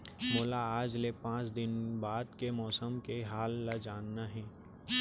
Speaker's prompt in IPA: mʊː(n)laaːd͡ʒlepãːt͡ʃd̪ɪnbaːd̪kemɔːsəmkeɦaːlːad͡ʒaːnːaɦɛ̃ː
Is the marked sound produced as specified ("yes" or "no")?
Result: no